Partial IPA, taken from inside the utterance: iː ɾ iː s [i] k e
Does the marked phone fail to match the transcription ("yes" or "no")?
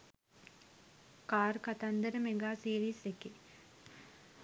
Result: yes